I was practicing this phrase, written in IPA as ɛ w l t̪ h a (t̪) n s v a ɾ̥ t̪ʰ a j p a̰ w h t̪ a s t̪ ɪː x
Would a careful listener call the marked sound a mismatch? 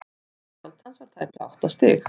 yes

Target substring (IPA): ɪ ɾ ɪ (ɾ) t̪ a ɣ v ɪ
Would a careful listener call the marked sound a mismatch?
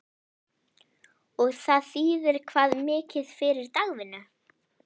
no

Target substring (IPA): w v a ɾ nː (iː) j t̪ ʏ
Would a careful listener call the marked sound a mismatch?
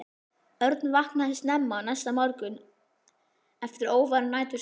yes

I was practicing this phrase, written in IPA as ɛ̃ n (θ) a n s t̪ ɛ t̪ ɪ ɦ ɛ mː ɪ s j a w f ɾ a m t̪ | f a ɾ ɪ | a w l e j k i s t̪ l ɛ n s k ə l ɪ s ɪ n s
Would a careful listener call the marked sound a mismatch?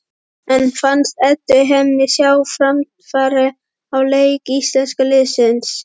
yes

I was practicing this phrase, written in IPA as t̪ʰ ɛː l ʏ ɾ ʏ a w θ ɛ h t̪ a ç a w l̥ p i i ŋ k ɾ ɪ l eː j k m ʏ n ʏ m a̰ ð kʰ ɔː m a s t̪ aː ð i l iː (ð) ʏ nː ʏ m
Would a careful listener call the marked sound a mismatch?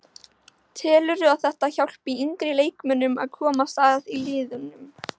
no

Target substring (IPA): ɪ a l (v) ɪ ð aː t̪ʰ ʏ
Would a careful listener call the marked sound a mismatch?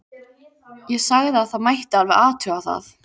no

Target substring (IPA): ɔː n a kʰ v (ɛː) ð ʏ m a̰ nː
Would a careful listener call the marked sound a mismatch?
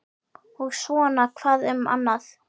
yes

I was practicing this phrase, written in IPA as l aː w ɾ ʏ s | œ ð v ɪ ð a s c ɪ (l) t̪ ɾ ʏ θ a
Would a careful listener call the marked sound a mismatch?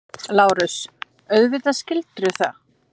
no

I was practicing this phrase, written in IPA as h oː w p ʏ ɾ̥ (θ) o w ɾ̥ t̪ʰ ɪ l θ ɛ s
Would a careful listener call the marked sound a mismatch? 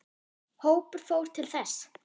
yes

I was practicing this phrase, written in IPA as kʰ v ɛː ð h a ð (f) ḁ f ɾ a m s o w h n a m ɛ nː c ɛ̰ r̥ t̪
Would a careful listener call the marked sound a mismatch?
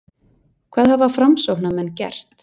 yes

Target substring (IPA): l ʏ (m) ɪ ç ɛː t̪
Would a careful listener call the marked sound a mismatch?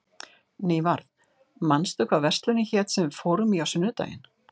yes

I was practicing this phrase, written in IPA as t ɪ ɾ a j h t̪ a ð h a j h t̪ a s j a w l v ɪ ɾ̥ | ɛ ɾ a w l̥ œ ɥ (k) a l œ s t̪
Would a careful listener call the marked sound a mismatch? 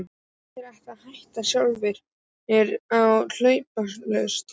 yes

